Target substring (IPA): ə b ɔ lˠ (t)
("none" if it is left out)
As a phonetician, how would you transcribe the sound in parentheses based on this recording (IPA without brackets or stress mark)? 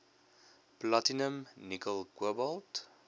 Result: t